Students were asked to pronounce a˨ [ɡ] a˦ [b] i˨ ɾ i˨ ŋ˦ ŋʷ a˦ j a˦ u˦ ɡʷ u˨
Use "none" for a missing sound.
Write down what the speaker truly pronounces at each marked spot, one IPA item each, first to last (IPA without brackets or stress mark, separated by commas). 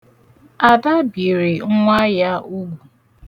d, b